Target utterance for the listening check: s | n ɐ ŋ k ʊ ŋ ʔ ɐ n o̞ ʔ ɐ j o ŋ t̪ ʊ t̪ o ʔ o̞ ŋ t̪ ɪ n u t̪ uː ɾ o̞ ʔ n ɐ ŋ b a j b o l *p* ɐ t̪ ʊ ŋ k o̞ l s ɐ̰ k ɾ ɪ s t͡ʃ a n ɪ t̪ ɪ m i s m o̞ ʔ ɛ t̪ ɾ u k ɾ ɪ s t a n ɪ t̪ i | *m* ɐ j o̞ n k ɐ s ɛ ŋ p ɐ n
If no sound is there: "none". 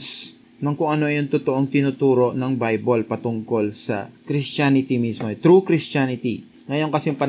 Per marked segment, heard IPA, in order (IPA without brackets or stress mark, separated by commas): p, ŋ